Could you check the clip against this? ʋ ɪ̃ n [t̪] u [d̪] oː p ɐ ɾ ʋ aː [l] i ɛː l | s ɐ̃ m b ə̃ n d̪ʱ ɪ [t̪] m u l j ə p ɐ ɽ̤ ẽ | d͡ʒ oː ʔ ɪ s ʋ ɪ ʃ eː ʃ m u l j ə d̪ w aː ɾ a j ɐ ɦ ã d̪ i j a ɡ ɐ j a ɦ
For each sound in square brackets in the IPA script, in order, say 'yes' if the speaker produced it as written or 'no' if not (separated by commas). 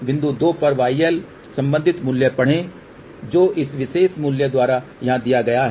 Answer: no, yes, no, yes